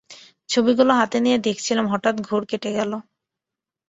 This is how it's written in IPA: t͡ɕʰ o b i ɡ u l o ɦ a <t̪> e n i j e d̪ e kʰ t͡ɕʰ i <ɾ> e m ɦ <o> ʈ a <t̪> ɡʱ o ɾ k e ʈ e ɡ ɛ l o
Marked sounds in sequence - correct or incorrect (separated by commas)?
correct, incorrect, incorrect, correct